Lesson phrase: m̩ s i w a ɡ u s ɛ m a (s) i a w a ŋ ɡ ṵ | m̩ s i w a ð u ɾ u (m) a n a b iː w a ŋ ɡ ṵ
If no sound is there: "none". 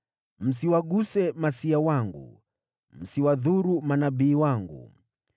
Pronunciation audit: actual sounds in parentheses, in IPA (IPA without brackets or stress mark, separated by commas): s, m